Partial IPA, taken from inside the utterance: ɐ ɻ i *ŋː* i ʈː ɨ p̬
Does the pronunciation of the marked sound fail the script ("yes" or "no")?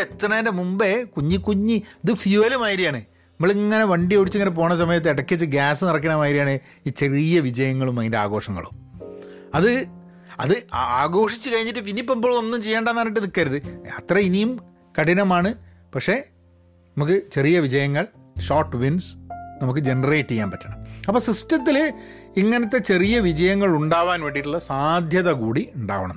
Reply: yes